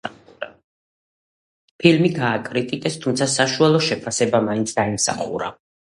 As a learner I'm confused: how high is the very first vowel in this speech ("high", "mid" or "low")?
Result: high